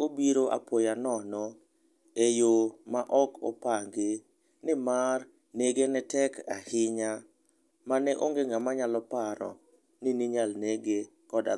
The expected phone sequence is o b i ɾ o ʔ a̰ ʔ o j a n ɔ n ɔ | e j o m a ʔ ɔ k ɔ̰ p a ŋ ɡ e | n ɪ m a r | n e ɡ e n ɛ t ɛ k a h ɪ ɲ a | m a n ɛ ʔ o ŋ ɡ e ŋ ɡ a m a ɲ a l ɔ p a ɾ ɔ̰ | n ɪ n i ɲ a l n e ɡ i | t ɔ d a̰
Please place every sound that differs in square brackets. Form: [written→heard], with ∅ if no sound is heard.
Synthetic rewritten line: o b i ɾ o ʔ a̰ [ʔ→p] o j a n ɔ n ɔ | e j o m a ʔ ɔ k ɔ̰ p a ŋ ɡ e | n ɪ m a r | n e ɡ e n ɛ t ɛ k a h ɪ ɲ a | m a n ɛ ʔ o ŋ ɡ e ŋ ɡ a m a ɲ a l ɔ p a ɾ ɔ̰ | n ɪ n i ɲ a l n e ɡ [i→e] | [t→k] ɔ d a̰

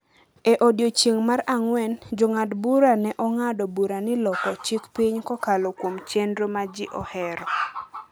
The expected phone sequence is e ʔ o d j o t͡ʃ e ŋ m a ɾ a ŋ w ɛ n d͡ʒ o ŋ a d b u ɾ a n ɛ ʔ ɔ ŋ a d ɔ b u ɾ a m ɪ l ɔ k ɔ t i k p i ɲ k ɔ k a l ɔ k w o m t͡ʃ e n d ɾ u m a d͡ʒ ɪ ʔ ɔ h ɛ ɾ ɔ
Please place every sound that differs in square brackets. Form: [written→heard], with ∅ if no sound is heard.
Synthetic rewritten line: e ʔ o d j o t͡ʃ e ŋ m a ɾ a ŋ w ɛ n d͡ʒ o ŋ a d b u ɾ a n ɛ ʔ ɔ ŋ a d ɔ b u ɾ a [m→n] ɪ l ɔ k ɔ [t→t͡ʃ] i k p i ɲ k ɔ k a l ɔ k w o m t͡ʃ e n d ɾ [u→o] m a d͡ʒ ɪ ʔ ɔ h ɛ ɾ ɔ

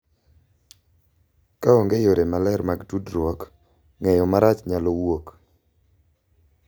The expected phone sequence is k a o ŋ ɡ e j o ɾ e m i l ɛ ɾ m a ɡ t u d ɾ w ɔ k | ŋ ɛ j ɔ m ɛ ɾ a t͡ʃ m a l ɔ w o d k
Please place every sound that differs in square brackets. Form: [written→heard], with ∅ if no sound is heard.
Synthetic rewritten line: k a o ŋ ɡ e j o ɾ e m [i→a] l ɛ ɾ m a ɡ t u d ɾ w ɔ k | ŋ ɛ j ɔ m [ɛ→a] ɾ a t͡ʃ [m→ɲ] a l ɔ w o [d→∅] k

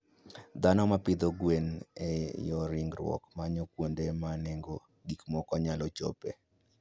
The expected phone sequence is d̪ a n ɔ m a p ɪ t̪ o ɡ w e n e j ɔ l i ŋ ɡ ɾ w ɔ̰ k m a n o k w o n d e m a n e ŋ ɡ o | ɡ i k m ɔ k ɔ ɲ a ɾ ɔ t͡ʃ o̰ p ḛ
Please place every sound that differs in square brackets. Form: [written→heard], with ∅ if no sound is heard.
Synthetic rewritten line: d̪ a n ɔ m a p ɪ [t̪→d̪] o ɡ w e n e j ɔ [l→ɾ] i ŋ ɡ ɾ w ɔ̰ k m a [n→ɲ] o k w o n d e m a n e ŋ ɡ o | ɡ i k m ɔ k ɔ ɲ a [ɾ→l] ɔ t͡ʃ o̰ p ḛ

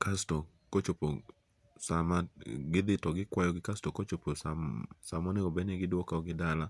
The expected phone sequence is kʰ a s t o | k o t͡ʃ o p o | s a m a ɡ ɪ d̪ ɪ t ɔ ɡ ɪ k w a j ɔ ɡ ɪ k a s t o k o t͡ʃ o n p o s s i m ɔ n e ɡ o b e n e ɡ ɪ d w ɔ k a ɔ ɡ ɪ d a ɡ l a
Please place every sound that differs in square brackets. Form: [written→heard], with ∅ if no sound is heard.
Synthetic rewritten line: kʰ a s t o | k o t͡ʃ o p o | s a m a ɡ ɪ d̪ ɪ t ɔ ɡ ɪ k w a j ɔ ɡ ɪ k a s t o k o t͡ʃ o [n→∅] p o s s [i→a] m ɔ n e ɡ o b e n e ɡ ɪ d w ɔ k a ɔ ɡ ɪ d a [ɡ→∅] l a

